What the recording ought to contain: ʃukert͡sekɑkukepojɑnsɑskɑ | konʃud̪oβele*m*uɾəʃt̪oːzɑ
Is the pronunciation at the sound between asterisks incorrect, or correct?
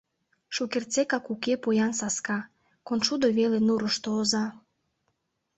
incorrect